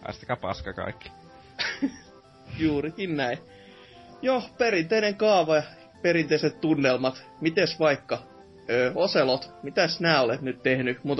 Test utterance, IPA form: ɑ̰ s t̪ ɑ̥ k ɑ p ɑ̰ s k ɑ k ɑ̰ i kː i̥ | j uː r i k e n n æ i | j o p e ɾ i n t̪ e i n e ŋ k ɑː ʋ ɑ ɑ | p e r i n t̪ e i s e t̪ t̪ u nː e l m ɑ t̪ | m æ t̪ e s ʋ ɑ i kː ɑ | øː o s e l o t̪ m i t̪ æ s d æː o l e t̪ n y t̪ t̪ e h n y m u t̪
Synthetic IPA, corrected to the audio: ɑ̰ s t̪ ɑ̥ k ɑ p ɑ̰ s k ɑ k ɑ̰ i kː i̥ | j uː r i k i n n æ i | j o p e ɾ i n t̪ e i n e ŋ k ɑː ʋ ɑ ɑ | p e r i n t̪ e i s e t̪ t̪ u nː e l m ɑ t̪ | m i t̪ e s ʋ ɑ i kː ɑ | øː o s e l o t̪ m i t̪ æ s n æː o l e t̪ n y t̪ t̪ e h n y m u t̪